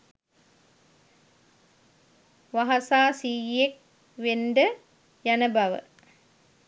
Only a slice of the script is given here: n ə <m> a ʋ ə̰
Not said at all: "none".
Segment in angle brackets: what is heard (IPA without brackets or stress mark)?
b